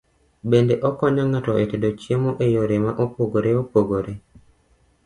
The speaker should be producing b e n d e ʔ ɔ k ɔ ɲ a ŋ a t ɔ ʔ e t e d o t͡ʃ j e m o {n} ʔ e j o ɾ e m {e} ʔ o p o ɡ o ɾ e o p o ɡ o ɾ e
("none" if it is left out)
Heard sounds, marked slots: none, a

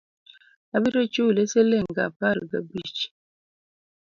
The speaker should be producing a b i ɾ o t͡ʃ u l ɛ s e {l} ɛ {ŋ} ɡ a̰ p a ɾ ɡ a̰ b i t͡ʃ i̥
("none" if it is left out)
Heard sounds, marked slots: l, ŋ

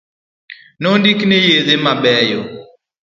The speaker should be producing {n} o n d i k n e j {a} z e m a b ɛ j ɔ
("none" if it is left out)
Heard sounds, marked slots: n, e

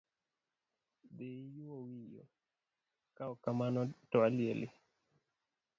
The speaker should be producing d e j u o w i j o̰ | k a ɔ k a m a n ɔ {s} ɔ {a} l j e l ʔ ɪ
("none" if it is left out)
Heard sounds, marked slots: t, a

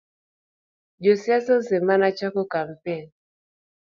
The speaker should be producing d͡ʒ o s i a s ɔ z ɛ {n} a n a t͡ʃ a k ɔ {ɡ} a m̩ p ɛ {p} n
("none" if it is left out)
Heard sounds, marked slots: m, k, none

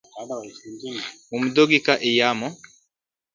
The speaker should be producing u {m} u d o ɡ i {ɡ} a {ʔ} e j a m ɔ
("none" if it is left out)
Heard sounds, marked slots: m, k, ʔ

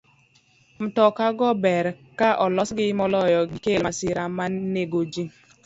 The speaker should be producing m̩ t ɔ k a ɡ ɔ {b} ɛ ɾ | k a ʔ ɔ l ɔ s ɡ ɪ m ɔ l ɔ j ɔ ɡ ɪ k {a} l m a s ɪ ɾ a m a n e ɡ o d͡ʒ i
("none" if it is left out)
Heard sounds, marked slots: b, e

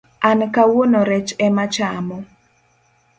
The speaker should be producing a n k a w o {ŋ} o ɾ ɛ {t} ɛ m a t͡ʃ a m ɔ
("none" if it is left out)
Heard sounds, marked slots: n, t͡ʃ

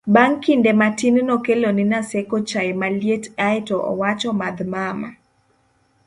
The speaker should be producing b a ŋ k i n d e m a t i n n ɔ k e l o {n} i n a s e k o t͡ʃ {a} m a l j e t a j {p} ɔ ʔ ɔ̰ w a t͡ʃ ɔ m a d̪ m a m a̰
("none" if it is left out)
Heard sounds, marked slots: n, a, t

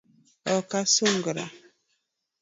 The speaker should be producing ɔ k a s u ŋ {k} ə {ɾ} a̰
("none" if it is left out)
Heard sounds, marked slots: ɡ, ɾ

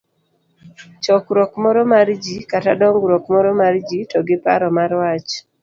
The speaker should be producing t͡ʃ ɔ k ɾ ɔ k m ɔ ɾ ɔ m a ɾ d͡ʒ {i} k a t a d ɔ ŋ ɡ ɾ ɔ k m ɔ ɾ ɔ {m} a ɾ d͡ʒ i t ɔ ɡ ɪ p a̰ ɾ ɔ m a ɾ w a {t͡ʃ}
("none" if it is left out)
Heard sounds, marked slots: i, m, t͡ʃ

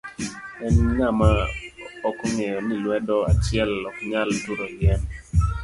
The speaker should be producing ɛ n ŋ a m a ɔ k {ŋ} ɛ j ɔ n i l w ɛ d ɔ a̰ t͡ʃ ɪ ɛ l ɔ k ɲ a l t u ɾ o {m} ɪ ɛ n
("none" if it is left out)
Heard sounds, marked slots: ŋ, none

